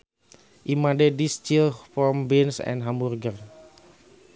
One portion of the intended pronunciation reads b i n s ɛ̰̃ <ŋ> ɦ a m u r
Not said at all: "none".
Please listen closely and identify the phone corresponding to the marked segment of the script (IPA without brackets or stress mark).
n